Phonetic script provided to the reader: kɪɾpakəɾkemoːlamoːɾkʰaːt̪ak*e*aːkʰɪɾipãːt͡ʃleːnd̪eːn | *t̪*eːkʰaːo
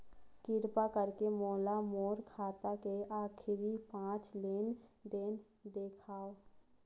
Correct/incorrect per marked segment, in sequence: correct, incorrect

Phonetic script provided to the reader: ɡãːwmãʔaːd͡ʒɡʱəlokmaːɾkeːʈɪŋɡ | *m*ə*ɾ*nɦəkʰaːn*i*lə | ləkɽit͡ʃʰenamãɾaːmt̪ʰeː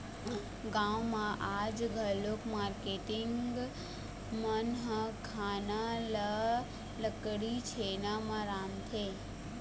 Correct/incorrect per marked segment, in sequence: correct, incorrect, incorrect

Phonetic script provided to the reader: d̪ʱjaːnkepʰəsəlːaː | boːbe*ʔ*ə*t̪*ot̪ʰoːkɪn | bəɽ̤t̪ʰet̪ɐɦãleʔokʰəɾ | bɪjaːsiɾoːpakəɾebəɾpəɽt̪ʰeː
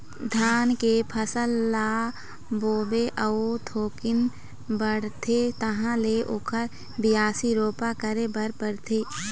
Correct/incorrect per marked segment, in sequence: correct, incorrect

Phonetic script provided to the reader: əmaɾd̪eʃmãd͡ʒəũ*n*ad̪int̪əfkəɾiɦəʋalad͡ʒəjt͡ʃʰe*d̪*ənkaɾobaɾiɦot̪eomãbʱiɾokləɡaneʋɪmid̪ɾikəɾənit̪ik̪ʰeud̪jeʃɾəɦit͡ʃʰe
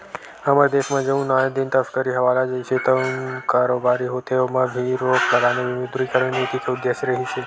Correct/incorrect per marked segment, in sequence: correct, incorrect

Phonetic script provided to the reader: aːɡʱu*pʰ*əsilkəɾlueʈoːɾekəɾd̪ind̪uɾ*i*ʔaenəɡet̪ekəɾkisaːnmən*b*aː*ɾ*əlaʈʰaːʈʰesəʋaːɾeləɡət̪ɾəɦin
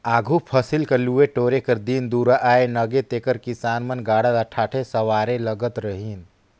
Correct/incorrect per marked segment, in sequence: correct, incorrect, incorrect, incorrect

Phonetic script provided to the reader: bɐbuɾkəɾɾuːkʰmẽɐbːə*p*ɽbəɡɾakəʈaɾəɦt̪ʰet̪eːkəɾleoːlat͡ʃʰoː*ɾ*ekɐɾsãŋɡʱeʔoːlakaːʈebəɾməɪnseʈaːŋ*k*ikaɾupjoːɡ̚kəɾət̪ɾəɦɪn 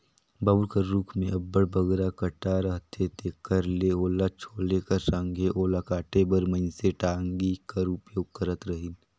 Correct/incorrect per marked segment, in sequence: incorrect, incorrect, incorrect

